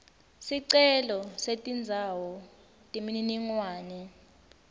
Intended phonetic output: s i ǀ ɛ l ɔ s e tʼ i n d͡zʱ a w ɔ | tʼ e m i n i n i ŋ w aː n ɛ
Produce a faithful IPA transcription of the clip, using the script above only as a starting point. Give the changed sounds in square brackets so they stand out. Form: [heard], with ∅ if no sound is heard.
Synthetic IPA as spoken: s i ǀ ɛ l ɔ s e tʼ i n d͡zʱ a w ɔ | tʼ [i] m i n i n i ŋ w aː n ɛ